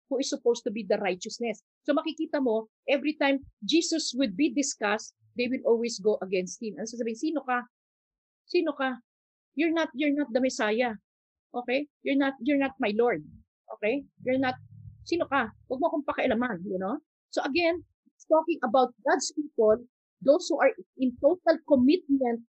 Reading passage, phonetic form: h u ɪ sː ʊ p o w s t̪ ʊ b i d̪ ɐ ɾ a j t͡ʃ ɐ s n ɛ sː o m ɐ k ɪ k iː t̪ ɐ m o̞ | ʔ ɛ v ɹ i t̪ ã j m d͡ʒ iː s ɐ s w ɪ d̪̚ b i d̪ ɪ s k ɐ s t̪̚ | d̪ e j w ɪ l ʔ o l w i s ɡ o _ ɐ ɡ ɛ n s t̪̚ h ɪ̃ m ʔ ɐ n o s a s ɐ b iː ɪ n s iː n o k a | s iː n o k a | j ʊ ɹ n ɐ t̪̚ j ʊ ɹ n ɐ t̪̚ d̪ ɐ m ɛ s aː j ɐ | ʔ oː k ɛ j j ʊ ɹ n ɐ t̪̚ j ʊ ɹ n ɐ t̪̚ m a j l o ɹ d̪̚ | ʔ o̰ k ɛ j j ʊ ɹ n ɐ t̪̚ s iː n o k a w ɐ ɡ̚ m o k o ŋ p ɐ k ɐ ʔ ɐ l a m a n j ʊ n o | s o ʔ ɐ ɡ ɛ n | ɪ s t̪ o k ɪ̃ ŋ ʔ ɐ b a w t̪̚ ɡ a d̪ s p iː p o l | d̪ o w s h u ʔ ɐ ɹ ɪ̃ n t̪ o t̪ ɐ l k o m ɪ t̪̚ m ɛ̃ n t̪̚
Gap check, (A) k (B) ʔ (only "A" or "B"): B